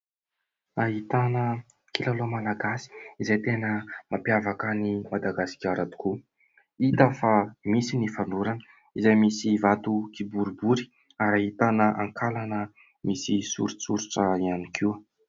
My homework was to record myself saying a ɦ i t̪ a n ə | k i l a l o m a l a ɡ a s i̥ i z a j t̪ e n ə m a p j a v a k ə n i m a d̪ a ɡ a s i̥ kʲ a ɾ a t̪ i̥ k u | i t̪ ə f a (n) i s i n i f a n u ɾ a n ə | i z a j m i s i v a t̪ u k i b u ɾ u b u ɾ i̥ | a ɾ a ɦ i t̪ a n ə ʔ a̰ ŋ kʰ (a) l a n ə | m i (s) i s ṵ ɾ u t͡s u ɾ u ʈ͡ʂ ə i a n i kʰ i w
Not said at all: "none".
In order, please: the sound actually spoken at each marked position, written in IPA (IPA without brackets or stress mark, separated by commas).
m, a, s